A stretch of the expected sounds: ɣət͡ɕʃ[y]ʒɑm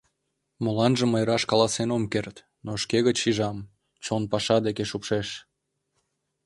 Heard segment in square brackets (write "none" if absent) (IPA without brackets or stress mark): i